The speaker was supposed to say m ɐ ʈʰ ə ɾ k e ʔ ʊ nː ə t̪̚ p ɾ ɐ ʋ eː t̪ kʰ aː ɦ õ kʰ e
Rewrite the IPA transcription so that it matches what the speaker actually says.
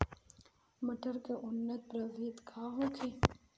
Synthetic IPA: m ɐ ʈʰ ə ɾ k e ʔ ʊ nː ə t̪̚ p ɾ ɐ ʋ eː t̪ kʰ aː ɦ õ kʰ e